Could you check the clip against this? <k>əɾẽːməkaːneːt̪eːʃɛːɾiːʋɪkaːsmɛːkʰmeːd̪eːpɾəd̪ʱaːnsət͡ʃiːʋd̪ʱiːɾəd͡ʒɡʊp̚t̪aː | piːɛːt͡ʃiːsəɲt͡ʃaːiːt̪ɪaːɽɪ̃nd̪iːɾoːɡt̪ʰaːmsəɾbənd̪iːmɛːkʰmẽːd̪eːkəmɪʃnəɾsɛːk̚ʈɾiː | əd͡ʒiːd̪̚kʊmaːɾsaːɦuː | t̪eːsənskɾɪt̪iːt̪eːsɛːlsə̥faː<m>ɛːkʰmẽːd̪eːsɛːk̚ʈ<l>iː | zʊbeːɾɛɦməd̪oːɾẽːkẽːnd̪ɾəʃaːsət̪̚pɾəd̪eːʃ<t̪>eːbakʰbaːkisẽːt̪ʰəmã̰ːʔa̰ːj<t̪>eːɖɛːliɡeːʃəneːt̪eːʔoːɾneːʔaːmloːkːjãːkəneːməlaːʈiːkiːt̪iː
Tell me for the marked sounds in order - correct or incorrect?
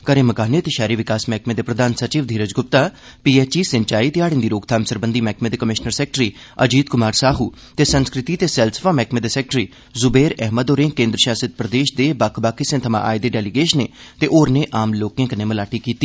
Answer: correct, correct, incorrect, incorrect, incorrect

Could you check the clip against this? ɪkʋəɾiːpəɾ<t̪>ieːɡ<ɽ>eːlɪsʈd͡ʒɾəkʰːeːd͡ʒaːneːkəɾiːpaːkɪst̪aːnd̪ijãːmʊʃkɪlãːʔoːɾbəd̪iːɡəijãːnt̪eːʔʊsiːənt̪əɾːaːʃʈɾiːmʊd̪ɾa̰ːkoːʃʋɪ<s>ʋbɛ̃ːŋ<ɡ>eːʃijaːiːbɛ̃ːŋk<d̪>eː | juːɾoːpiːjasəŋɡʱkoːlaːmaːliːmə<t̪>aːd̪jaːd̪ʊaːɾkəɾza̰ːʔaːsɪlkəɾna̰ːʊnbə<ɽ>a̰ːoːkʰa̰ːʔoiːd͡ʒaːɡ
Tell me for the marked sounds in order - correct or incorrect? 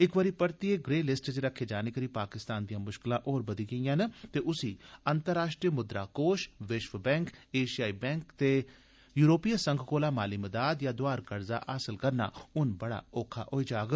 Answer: correct, incorrect, incorrect, incorrect, incorrect, incorrect, correct

